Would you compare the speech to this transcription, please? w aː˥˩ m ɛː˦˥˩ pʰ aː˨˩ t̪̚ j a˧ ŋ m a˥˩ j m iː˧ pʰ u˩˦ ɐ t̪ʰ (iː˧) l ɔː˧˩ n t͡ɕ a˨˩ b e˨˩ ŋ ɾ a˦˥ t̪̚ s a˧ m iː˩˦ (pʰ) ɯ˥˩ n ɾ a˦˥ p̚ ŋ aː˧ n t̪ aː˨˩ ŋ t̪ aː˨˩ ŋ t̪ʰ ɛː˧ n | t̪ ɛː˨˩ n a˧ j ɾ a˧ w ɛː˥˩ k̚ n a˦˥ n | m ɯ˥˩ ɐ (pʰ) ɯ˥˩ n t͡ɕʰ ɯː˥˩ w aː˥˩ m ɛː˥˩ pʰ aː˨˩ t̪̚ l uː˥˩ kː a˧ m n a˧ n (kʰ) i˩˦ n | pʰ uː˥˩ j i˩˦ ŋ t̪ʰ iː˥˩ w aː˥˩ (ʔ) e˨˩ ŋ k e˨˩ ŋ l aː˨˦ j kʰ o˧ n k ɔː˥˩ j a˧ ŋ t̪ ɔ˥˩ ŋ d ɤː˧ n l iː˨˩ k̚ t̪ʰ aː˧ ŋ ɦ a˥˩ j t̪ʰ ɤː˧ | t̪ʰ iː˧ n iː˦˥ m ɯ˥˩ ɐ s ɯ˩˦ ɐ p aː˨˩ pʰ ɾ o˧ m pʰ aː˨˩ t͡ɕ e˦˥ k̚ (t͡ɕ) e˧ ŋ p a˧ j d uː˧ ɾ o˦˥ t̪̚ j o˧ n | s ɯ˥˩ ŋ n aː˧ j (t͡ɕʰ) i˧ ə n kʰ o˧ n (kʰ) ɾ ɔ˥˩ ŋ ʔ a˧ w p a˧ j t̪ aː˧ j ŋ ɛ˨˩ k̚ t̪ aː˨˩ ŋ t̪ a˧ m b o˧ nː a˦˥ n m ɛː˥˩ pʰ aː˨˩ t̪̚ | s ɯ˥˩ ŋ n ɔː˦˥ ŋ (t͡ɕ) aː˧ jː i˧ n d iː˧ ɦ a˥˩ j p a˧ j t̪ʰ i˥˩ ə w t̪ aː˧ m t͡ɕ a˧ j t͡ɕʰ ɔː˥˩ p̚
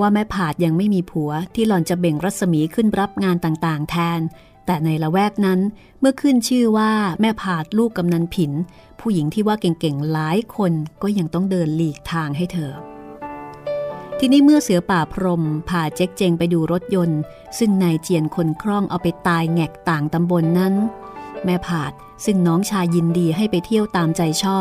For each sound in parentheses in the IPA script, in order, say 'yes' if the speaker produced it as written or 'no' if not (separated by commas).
no, no, no, no, no, yes, no, yes, no